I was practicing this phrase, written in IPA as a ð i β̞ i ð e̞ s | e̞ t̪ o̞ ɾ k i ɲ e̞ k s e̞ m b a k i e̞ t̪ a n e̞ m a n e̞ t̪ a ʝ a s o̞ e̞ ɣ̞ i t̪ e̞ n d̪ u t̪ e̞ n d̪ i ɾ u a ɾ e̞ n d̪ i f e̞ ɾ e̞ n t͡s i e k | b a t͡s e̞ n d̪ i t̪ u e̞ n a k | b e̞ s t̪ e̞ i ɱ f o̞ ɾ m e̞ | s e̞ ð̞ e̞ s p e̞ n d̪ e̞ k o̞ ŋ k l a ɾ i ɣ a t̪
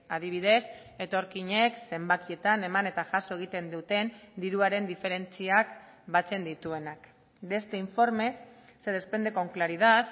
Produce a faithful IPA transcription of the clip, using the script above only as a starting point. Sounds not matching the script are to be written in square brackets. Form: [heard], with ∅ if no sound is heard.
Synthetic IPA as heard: a ð i β̞ i ð e̞ s | e̞ t̪ o̞ ɾ k i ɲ e̞ k s e̞ m b a k i e̞ t̪ a n e̞ m a n e̞ t̪ a ʝ a s o̞ e̞ ɣ̞ i t̪ e̞ n d̪ u t̪ e̞ n d̪ i ɾ u a ɾ e̞ n d̪ i f e̞ ɾ e̞ n t͡s i [a] k | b a t͡s e̞ n d̪ i t̪ u e̞ n a k | b e̞ s t̪ e̞ i ɱ f o̞ ɾ m e̞ | s e̞ ð̞ e̞ s p e̞ n d̪ e̞ k o̞ ŋ k l a ɾ i [ð] a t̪